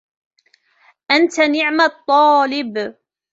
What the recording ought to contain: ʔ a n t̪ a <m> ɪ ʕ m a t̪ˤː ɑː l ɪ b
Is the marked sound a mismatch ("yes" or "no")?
yes